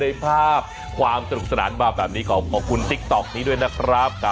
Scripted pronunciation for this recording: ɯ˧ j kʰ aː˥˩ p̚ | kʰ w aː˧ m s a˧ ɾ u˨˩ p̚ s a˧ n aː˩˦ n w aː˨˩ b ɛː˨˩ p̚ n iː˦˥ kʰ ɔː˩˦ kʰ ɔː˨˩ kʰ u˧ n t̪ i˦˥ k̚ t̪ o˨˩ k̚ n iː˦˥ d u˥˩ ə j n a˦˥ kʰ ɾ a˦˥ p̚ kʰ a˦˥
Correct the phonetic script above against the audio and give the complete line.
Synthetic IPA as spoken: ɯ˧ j pʰ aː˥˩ p̚ | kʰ w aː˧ m s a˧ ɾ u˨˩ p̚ s a˧ n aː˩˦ n b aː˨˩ b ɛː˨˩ p̚ n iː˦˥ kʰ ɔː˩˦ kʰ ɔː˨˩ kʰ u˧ n t̪ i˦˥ k̚ t̪ ɔ˨˩ k̚ n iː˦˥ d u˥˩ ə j n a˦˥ kʰ ɾ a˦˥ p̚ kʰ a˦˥